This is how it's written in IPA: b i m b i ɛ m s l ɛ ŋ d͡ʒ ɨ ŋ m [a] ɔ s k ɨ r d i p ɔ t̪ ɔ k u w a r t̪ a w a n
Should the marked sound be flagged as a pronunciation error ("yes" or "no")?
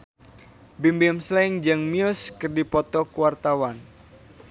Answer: yes